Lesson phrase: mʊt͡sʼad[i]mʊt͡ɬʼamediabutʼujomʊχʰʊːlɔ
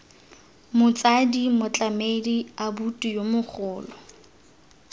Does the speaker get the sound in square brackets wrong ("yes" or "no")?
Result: no